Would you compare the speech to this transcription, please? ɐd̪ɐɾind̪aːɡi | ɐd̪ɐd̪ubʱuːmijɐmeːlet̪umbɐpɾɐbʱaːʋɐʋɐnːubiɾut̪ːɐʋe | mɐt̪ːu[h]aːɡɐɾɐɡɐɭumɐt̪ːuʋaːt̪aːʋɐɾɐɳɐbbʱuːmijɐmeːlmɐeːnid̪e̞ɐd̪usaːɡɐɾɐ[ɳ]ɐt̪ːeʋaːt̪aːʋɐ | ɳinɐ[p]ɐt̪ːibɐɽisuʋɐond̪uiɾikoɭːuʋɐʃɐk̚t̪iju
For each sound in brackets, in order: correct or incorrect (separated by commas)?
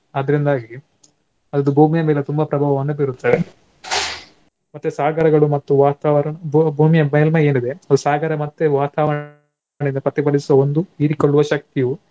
incorrect, incorrect, correct